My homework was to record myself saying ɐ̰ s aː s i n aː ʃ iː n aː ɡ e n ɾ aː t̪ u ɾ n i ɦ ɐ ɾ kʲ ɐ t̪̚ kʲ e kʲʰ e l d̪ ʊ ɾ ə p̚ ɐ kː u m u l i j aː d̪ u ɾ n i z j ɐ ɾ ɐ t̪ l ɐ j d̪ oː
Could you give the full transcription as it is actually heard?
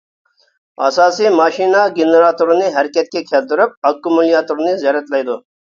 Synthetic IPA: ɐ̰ s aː s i m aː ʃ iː n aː ɡ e n ɾ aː t̪ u ɾ n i ɦ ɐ ɾ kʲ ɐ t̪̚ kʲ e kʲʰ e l d̪ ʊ ɾ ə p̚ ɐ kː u m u l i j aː t̪ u ɾ n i z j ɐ ɾ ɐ t̪ l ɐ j d̪ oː